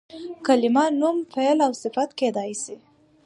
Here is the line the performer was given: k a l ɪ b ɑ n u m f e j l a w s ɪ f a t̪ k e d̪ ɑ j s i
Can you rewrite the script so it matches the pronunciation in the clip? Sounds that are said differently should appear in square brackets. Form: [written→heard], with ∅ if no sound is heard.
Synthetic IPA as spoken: k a l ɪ [b→m] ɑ n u m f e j l a w s ɪ f a t̪ k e d̪ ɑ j s i